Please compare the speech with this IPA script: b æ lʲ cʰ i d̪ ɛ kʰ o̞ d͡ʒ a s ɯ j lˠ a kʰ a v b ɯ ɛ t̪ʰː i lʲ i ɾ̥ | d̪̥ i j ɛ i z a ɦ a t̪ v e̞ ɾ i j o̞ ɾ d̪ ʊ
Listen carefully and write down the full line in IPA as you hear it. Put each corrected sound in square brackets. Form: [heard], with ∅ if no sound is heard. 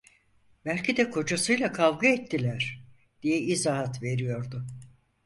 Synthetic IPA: b æ lʲ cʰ i d̪ ɛ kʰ o̞ d͡ʒ a s ɯ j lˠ a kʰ a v [ɡ] ɯ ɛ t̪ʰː i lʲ [æ] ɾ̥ | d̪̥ i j ɛ i z a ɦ a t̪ v e̞ ɾ i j o̞ ɾ d̪ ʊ